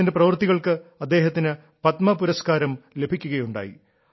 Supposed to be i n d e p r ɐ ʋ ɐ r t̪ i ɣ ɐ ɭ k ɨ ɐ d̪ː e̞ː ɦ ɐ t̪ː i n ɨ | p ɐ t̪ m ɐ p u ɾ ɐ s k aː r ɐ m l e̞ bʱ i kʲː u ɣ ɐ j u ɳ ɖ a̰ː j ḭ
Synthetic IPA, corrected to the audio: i n d e p r ɐ ʋ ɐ r t̪ i ɣ ɐ ɭ k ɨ ɐ d̪ː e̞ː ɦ ɐ t̪ː i n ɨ | p ɐ t̪ m ɐ p u ɾ ɐ s k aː ɾ ɐ m l e̞ bʱ i kʲː u ɣ ɐ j u ɳ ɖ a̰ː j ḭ